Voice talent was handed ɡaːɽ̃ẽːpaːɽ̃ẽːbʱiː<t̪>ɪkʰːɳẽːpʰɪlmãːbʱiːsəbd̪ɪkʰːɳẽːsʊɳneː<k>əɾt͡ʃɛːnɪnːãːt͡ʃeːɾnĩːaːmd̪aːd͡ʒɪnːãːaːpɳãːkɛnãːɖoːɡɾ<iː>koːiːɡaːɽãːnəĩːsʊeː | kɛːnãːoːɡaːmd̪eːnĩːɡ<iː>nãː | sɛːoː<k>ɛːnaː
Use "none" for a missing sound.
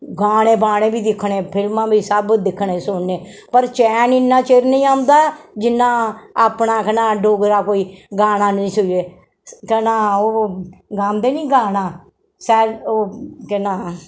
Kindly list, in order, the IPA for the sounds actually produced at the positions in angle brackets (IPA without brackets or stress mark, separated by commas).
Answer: d̪, p, aː, aː, k